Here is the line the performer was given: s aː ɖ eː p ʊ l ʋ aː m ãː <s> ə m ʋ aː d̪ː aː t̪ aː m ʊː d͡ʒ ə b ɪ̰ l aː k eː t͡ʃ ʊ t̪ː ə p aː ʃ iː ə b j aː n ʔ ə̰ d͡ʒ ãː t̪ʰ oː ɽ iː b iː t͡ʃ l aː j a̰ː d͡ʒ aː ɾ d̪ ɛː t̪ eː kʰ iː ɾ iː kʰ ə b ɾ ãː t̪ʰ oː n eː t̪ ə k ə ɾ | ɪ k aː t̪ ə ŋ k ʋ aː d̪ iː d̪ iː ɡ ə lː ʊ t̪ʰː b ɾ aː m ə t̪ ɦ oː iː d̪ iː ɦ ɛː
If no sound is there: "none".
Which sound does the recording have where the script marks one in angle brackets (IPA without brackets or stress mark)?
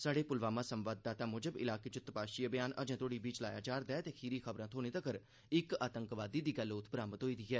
s